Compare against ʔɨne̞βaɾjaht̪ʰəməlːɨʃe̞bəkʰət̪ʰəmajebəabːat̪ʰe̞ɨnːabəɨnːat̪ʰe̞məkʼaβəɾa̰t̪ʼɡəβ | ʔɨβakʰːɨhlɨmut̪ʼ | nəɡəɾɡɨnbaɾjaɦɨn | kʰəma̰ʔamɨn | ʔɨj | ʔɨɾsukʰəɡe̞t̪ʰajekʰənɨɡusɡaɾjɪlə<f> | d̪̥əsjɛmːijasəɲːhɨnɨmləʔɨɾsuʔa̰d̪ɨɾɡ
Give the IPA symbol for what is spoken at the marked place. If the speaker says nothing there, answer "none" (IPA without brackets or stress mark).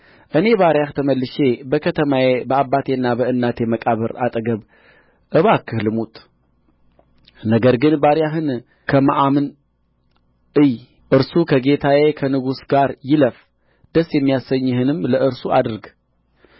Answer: f